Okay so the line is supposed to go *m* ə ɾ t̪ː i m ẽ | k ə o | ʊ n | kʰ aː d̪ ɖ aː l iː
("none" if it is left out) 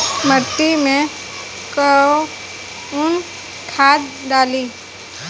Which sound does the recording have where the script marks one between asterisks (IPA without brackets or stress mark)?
m